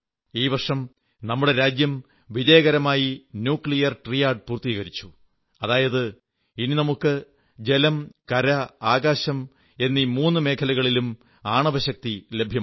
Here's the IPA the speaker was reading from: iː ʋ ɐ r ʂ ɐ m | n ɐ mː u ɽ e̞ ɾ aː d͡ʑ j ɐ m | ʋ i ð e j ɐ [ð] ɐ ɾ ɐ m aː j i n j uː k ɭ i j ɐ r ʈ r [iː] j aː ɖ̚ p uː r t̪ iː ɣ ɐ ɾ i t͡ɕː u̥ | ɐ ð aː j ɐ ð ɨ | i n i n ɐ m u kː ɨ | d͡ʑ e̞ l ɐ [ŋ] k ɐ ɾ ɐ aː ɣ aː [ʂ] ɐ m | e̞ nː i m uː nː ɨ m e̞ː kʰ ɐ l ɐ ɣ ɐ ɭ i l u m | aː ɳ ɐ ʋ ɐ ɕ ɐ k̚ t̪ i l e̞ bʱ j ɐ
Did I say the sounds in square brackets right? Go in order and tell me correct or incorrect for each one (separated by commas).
incorrect, incorrect, incorrect, incorrect